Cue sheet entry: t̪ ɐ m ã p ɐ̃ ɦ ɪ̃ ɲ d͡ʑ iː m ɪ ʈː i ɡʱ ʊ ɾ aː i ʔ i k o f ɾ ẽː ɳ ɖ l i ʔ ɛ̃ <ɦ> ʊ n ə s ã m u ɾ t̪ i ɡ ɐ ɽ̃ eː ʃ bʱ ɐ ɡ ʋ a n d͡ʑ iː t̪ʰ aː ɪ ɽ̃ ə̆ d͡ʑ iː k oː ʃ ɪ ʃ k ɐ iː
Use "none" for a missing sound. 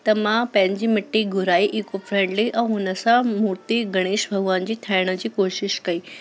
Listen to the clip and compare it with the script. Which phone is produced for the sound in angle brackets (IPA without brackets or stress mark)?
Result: ɦ